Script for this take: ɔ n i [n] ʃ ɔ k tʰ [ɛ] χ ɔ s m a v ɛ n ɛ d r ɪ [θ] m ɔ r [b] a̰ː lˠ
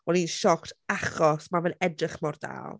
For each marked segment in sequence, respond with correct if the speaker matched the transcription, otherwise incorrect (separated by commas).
correct, incorrect, incorrect, incorrect